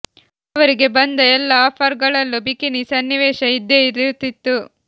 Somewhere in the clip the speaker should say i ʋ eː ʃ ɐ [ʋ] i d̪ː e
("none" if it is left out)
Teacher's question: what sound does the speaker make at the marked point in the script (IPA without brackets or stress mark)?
none